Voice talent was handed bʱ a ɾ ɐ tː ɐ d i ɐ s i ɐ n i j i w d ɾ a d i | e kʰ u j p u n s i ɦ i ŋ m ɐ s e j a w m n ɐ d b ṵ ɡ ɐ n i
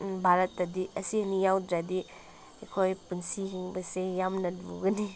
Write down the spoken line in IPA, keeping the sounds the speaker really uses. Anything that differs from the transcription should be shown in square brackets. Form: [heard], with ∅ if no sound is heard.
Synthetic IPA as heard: bʱ a ɾ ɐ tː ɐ d i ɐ s i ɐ n i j [a] w d ɾ a d i | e kʰ [o] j p u n s i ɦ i ŋ [b] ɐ s e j a [∅] m n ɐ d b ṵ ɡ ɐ n i